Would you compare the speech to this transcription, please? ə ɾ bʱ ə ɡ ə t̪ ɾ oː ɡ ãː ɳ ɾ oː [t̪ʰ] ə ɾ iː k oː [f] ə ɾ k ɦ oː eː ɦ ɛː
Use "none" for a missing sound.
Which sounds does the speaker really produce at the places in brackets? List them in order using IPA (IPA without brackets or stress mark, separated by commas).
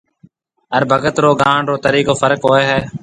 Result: t̪, f